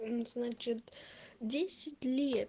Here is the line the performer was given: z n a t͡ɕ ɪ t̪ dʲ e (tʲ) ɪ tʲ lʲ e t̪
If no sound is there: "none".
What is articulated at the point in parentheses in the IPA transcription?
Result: sʲ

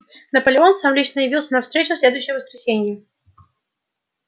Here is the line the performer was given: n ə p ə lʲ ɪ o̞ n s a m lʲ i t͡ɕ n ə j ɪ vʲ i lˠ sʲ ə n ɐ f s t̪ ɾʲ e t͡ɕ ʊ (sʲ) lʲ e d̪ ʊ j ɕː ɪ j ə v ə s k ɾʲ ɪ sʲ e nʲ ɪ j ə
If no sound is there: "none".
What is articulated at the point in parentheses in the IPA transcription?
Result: sʲ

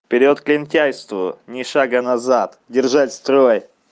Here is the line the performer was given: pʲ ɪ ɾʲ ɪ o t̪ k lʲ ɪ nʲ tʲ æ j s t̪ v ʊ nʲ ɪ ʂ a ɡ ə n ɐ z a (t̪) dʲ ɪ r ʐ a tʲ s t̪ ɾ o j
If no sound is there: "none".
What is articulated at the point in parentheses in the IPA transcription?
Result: t̪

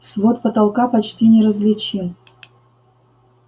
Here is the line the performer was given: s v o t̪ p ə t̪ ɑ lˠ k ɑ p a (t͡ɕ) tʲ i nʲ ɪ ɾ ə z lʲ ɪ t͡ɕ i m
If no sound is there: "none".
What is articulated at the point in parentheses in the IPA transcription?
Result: t͡ɕ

